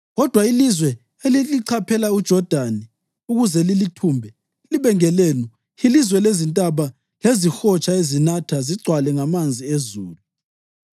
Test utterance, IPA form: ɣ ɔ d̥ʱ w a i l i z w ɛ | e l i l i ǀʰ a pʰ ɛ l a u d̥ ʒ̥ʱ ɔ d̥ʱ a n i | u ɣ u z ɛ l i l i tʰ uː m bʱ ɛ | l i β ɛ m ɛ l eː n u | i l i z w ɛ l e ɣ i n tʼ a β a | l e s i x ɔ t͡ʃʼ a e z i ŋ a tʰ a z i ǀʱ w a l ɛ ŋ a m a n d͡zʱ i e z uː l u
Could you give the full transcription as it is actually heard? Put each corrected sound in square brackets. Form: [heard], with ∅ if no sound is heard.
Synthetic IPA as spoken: ɣ ɔ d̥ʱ w a i l i z w ɛ | e l i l i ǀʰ a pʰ ɛ l a u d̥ ʒ̥ʱ ɔ d̥ʱ a n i | u ɣ u z ɛ l i l i tʰ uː m bʱ ɛ | l i β ɛ [ŋ] ɛ l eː n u | i l i z w ɛ l e [z] i n tʼ a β a | l e [z] i x ɔ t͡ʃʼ a e z i [n] a tʰ a z i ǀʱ w a l ɛ ŋ a m a n d͡zʱ i e z uː l u

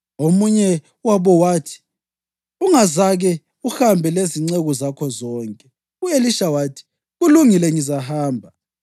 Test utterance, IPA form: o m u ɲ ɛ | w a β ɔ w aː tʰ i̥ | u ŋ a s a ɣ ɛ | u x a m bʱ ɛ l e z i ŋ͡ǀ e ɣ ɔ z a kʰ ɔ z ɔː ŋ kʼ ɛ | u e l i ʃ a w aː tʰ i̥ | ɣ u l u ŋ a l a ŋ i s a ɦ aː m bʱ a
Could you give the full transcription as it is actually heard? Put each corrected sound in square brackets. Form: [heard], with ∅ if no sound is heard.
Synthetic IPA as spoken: o m u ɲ ɛ | w a β ɔ w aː tʰ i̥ | u ŋ a [z] a ɣ ɛ | u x a m bʱ ɛ l e z i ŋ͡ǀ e ɣ ɔ z a kʰ ɔ z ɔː ŋ kʼ ɛ | u e l i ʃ a w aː tʰ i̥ | ɣ u l u ŋ [i] l [ɛ] ŋ i [z] a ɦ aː m bʱ a

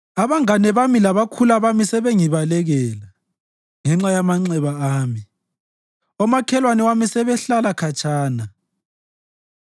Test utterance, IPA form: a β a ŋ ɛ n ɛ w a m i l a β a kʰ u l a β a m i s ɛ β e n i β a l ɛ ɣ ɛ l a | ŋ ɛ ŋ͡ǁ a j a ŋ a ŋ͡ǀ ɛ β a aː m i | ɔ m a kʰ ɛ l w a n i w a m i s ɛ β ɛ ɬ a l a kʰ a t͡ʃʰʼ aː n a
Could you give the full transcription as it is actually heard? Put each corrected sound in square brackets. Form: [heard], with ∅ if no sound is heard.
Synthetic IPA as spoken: a β a ŋ [a] n ɛ [β] a m i l a β a kʰ u l a β a m i s ɛ β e [ŋ] i β a l ɛ ɣ ɛ l a | ŋ ɛ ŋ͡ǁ a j a [m] a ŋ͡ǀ ɛ β a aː m i | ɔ m a kʰ ɛ l w a n [ɛ] w a m i s ɛ β ɛ ɬ a l a kʰ a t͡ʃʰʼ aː n a

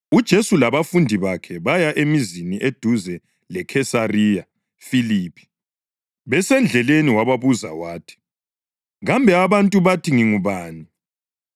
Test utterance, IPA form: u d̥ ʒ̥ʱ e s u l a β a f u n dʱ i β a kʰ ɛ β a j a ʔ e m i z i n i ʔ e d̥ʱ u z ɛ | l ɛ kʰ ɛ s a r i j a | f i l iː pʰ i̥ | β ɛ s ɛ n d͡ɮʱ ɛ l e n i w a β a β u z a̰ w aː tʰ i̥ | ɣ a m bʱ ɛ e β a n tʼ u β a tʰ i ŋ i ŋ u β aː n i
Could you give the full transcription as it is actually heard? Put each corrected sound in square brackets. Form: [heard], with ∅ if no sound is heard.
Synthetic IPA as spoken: u d̥ ʒ̥ʱ e s u l a β a f u n dʱ i β a kʰ ɛ β a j a ʔ e m i z i n i ʔ e d̥ʱ u z ɛ | l ɛ kʰ ɛ s a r i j a | f i l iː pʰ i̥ | β ɛ s ɛ n d͡ɮʱ ɛ l e n i w a β a β u z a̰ w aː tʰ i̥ | ɣ a m bʱ ɛ [a] β a n tʼ u β a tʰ i ŋ i ŋ u β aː n i

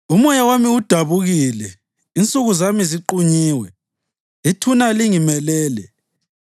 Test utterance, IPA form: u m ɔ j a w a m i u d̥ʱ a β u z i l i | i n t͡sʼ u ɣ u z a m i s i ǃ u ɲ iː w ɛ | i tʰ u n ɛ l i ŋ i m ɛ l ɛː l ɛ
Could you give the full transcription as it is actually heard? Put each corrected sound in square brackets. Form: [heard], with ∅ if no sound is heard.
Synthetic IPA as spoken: u m ɔ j a w a m i u d̥ʱ a β u [ɣ] i l [ɛ] | i n t͡sʼ u ɣ u z a m i [z] i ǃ u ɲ iː w ɛ | i tʰ u n [a] l i ŋ i m ɛ l ɛː l ɛ

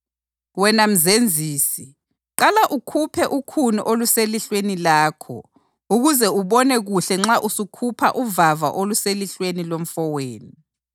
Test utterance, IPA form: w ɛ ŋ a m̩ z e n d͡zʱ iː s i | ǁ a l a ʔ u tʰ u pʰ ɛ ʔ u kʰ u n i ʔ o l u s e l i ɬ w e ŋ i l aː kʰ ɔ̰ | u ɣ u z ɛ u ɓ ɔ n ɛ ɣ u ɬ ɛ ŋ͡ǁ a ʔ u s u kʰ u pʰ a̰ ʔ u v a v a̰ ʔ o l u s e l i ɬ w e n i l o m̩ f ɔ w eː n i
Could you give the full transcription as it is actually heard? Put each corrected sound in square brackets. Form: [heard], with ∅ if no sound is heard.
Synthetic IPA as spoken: w ɛ [n] a m̩ z e n d͡zʱ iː s i | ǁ a l a ʔ u [kʰ] u pʰ ɛ ʔ u kʰ u n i ʔ o l u s e l i ɬ w e [n] i l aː kʰ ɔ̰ | u ɣ u z ɛ u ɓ ɔ n ɛ ɣ u ɬ ɛ ŋ͡ǁ a ʔ u s u kʰ u pʰ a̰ ʔ u v a v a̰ ʔ o l u s e l i ɬ w e n i l o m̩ f ɔ w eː n i

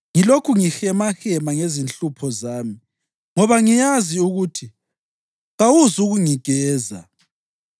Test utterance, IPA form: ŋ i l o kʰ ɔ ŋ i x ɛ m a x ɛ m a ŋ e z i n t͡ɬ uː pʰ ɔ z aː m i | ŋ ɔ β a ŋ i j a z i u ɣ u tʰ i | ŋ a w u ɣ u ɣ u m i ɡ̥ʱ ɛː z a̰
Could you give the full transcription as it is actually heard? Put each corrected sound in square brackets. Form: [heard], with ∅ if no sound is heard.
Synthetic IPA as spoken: ŋ i l o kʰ [u] ŋ i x ɛ m a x ɛ m a ŋ e z i n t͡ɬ [u] pʰ ɔ z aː m i | ŋ ɔ β a ŋ i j a z i u ɣ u tʰ i | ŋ a w u [z] u ɣ u [ŋ] i ɡ̥ʱ ɛː z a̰

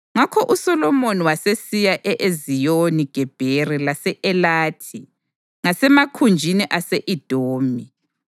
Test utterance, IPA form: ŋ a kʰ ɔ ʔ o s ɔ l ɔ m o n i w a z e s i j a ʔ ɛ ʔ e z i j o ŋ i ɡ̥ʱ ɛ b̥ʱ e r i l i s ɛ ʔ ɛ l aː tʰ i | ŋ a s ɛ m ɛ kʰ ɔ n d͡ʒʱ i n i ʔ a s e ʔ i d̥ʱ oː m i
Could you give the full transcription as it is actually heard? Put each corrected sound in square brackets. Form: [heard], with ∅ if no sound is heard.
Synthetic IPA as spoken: ŋ a kʰ ɔ ʔ [u] s ɔ l ɔ m o n i w a [s] e s i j a ʔ ɛ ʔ e z i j o [n] i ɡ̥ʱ ɛ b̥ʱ e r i l [a] s ɛ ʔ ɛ l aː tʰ i | ŋ a s ɛ m [a] kʰ [u] n d͡ʒʱ i n i ʔ a s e ʔ i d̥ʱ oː m i

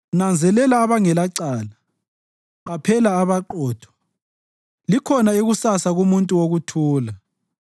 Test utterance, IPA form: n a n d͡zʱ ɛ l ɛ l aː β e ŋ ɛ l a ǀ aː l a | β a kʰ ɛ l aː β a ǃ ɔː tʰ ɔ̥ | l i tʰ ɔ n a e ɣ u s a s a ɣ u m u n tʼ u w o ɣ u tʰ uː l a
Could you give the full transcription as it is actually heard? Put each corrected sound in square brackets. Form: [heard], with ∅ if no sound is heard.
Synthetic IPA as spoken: n a n d͡zʱ ɛ l ɛ l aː β [a] ŋ ɛ l a ǀ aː l a | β a [pʰ] ɛ l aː β a ǃ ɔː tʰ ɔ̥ | l i [kʰ] ɔ n a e ɣ u s a s a ɣ u m u n tʼ u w o ɣ u tʰ uː l a

